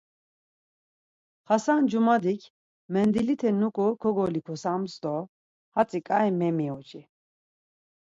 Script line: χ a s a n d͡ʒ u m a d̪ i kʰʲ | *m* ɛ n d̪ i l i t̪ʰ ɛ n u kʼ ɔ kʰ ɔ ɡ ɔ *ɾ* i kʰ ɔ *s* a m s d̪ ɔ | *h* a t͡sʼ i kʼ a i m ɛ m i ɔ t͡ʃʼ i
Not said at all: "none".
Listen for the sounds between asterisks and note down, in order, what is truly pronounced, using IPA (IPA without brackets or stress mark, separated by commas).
m, l, s, h